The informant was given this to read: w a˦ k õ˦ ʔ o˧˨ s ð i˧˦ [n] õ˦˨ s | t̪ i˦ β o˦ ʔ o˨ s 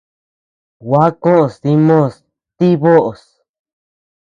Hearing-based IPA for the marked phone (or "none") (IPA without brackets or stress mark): m